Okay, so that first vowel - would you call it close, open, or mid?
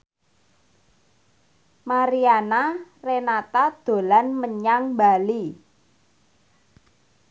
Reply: open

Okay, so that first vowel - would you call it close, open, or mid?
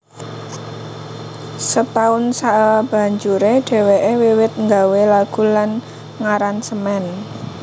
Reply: mid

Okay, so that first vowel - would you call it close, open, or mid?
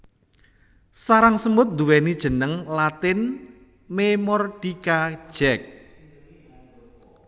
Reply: open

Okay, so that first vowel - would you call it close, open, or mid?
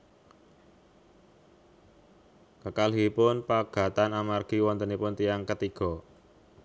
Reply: mid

